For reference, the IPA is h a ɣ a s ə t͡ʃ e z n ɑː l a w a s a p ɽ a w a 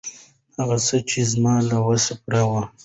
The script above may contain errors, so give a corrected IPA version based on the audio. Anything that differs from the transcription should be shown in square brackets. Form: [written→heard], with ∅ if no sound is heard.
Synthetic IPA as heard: h a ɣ a s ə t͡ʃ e z [n→m] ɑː l a w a s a p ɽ a w a